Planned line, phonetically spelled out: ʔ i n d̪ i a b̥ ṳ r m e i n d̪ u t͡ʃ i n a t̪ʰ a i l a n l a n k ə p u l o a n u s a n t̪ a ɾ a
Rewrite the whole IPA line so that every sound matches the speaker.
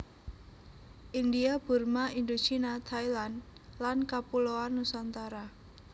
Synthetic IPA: ʔ i n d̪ i a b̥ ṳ r m a i n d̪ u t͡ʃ i n a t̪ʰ a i l a n l a n k a p u l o a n u s a n t̪ a ɾ a